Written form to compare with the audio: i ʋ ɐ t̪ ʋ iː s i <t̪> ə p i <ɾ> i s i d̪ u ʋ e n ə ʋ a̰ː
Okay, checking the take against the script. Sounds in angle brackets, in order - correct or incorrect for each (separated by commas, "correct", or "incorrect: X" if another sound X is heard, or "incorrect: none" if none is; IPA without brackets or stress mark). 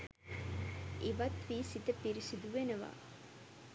correct, correct